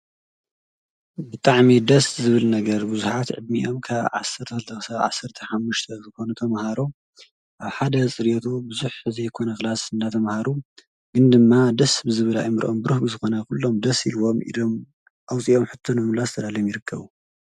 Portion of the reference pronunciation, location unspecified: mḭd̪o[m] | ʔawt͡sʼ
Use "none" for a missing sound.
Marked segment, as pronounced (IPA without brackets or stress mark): m